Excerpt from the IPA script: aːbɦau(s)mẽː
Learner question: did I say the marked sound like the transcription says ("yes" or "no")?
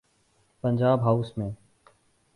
yes